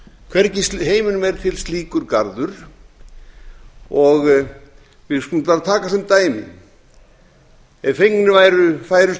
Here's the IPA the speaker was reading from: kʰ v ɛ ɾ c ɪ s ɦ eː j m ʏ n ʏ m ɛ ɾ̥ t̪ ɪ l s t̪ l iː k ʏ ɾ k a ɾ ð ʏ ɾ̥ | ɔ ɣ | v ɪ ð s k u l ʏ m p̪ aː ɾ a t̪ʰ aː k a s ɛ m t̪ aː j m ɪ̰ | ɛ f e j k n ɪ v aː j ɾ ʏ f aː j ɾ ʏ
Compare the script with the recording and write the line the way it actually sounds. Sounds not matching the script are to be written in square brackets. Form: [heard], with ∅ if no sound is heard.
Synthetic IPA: kʰ v ɛ ɾ c ɪ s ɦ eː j m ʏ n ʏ m ɛ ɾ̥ [t̪ʰ] ɪ l s t̪ l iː k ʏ ɾ k a ɾ ð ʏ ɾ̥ | ɔ ɣ | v ɪ ð s k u l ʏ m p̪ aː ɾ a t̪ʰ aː k a s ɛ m t̪ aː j m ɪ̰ | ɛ f e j k n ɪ v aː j ɾ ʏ f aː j ɾ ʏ